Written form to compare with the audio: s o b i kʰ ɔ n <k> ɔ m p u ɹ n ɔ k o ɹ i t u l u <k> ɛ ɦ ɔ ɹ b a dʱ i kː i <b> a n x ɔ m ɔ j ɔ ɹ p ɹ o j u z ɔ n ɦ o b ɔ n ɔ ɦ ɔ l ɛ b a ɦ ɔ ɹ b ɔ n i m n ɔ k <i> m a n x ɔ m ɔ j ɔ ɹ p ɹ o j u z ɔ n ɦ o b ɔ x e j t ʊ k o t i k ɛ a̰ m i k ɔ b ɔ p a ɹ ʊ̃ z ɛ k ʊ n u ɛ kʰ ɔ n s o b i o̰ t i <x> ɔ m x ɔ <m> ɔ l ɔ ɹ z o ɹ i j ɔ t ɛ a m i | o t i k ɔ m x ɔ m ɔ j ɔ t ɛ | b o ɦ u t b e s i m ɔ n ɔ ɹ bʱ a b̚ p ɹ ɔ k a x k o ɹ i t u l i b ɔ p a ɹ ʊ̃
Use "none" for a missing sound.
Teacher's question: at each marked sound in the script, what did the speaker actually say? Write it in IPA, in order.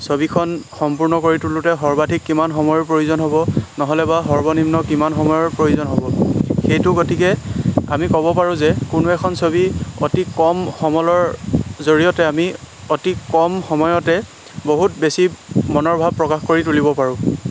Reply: x, t, m, i, k, m

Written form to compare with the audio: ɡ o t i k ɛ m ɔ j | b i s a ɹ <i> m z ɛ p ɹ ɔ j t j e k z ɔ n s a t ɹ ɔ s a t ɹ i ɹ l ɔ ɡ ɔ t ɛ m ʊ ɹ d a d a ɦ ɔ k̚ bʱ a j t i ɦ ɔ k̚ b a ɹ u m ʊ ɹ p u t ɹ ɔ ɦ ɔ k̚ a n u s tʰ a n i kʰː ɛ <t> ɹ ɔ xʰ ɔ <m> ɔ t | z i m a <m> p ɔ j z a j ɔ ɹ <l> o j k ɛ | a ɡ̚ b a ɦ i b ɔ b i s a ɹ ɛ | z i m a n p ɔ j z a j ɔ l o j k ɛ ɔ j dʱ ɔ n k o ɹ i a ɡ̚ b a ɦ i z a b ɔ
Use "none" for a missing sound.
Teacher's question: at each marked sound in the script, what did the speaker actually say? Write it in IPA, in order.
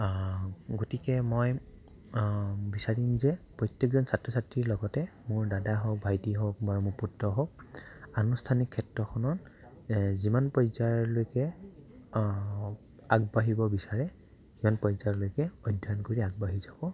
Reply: i, t, n, n, l

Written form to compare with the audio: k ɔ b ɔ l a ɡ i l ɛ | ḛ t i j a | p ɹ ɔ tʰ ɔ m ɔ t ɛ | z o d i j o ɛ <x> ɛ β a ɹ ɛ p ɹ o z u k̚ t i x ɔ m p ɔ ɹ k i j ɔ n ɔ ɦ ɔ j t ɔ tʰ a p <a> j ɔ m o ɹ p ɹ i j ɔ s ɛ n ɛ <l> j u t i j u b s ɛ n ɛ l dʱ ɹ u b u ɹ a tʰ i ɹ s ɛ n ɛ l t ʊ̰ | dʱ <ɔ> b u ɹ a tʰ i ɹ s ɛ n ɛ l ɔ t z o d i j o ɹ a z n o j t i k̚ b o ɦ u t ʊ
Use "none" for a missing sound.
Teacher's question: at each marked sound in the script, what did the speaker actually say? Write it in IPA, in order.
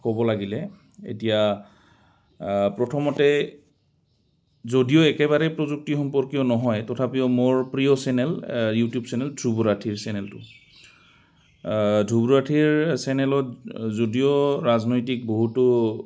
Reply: k, i, l, u

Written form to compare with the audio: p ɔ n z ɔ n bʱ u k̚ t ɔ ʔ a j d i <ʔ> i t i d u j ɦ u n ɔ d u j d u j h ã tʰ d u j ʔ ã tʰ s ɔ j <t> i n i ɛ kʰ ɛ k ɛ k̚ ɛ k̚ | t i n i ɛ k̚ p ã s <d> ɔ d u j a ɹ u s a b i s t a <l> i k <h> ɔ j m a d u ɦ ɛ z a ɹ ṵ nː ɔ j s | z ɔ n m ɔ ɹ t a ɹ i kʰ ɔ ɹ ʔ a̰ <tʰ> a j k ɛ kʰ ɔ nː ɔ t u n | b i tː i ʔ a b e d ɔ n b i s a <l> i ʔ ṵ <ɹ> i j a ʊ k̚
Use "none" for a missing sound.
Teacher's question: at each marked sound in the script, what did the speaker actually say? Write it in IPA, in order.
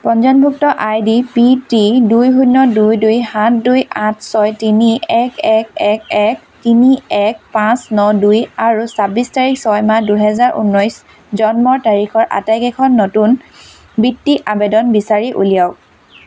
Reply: p, t, n, ɹ, s, t, ɹ, l

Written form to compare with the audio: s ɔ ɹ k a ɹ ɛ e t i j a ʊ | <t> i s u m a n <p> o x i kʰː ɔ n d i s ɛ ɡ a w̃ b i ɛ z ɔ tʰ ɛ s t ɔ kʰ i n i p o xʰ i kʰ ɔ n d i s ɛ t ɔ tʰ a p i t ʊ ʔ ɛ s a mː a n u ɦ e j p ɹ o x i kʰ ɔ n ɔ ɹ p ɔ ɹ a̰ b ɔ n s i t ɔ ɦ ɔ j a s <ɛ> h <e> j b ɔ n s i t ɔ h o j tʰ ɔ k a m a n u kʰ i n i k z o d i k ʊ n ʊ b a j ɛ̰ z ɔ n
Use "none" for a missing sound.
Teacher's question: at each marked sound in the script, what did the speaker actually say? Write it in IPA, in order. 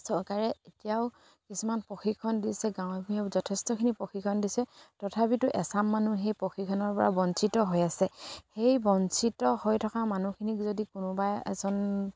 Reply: k, p, ɛ, e

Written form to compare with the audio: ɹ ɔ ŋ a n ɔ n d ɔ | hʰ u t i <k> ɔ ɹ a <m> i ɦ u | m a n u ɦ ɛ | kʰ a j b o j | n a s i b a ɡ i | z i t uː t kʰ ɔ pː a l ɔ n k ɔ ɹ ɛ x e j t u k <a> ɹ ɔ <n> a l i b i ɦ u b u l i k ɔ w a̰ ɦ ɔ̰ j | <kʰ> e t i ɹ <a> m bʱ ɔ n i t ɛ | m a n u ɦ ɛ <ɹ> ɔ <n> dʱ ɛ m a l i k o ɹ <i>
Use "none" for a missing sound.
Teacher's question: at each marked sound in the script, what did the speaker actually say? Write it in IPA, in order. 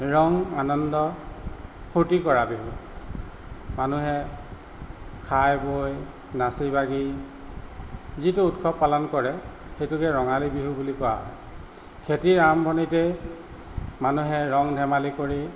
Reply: k, b, ɛ, ŋ, kʰ, a, ɹ, ŋ, i

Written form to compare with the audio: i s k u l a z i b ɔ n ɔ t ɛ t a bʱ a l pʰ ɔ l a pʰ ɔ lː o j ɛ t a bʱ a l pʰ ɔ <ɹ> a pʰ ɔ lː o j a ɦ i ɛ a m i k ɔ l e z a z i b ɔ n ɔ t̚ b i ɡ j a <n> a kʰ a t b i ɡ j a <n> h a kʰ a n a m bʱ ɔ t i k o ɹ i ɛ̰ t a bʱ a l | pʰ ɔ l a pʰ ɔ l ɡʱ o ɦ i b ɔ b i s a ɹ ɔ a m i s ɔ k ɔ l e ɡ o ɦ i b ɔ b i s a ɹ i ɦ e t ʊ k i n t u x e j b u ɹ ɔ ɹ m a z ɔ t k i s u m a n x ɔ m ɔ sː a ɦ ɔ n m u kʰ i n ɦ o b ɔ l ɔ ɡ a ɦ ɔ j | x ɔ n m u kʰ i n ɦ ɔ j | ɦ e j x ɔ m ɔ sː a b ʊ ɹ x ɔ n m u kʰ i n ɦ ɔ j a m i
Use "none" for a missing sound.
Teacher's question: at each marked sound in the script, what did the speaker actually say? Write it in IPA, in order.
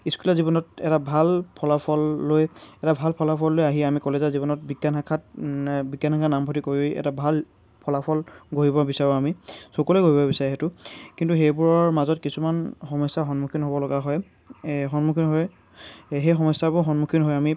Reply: l, n, n

